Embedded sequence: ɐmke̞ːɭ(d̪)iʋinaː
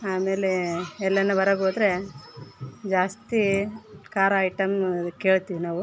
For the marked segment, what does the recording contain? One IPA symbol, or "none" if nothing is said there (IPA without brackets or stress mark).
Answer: t̪